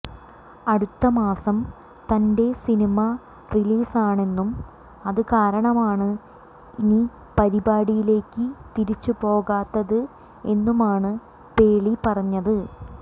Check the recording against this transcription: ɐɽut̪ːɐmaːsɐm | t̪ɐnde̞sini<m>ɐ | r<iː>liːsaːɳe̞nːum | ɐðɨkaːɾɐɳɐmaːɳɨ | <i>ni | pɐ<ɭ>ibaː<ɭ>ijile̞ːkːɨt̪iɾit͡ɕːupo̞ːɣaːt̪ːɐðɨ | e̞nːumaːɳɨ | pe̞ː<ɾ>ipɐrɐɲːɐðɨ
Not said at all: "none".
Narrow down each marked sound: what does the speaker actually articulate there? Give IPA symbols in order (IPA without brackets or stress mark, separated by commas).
m, i, i, ɾ, ɽ, ɭ